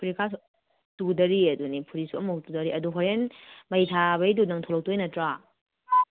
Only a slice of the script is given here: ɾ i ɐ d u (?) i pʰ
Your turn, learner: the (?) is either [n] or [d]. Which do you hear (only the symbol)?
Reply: n